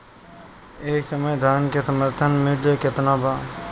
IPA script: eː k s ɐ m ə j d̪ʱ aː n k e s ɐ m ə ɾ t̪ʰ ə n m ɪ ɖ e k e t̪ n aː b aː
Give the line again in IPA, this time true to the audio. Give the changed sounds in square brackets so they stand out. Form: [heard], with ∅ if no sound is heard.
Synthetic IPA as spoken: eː k s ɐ m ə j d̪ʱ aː n k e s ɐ m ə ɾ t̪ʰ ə n m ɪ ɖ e k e t̪ n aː b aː